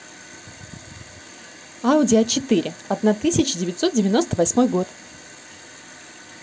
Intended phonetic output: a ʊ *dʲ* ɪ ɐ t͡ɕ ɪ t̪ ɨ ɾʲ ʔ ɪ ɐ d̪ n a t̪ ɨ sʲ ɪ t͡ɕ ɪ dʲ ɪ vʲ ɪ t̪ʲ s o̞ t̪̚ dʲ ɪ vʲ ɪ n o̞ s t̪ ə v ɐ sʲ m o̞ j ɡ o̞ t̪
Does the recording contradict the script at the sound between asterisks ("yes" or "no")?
no